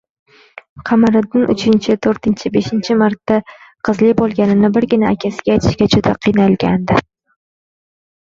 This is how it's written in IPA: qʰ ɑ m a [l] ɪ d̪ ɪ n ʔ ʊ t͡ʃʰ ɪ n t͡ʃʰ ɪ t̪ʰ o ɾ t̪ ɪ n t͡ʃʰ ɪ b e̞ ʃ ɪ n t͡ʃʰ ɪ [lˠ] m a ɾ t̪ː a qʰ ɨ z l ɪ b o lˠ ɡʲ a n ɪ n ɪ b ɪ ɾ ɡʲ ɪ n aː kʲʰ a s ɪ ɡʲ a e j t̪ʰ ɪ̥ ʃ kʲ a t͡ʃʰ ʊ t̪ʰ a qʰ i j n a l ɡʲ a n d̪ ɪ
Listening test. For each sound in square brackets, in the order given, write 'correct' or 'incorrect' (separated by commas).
incorrect, incorrect